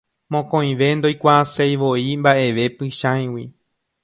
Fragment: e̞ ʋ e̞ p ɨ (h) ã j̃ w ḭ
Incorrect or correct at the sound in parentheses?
incorrect: ʃ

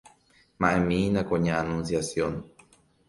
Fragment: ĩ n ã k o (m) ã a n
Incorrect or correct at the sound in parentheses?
incorrect: ɲ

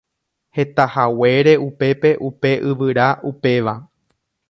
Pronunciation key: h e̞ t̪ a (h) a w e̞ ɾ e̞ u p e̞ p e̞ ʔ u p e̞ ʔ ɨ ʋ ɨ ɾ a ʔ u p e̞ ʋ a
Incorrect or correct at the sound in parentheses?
correct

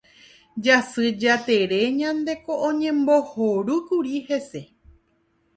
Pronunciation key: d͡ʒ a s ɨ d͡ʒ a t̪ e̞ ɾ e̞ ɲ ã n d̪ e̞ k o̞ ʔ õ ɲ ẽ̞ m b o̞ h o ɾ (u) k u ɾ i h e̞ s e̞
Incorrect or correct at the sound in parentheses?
correct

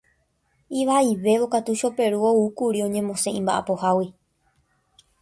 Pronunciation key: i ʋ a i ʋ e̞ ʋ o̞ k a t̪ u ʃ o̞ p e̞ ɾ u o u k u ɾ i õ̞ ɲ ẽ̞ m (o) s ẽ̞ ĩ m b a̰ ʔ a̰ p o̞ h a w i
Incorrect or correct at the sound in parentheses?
incorrect: õ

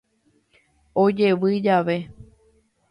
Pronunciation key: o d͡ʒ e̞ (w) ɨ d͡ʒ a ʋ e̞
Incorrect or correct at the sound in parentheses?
incorrect: ʋ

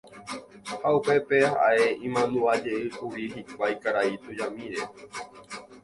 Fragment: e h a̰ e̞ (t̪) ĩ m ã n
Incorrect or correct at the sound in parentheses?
incorrect: none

